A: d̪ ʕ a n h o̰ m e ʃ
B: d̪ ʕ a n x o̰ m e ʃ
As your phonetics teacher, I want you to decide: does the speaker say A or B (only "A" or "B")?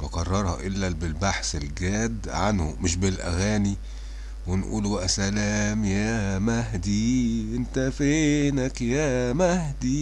A